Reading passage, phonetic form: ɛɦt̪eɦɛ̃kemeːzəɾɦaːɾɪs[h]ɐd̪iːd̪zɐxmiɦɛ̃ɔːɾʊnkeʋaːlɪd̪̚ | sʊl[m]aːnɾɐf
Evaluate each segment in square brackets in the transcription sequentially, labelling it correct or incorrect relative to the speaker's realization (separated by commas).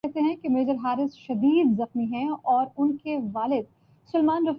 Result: incorrect, correct